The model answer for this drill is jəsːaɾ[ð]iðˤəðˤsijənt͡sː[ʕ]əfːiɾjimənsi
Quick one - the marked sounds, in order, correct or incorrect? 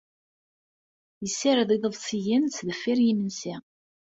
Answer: correct, incorrect

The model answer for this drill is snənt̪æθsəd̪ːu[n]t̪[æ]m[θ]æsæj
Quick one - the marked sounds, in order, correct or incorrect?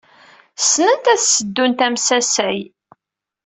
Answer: correct, correct, incorrect

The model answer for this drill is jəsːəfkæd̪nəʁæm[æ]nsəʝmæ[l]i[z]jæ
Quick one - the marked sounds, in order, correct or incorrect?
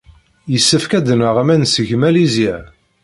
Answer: correct, correct, correct

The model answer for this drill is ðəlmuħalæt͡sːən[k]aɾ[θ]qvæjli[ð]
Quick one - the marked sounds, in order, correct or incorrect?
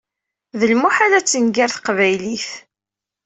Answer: incorrect, correct, incorrect

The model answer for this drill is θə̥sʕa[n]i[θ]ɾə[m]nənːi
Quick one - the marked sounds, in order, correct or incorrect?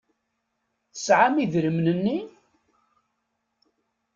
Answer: incorrect, incorrect, correct

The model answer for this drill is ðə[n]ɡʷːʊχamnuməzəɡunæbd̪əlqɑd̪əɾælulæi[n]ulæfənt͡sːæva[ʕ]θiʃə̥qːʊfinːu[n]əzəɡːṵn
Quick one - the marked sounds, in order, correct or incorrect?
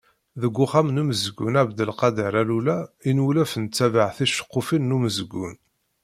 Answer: incorrect, correct, correct, incorrect

